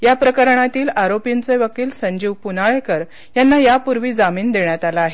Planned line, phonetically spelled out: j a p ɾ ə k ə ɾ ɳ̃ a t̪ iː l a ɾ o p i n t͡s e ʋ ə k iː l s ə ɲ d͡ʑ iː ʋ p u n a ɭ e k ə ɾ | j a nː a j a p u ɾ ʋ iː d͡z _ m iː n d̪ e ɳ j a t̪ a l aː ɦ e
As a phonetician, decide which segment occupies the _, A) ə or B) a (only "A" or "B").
B